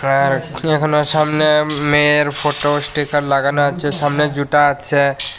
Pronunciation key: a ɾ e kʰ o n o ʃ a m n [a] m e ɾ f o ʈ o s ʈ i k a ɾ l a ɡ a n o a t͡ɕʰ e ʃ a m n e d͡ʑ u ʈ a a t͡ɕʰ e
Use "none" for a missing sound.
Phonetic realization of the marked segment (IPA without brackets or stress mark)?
e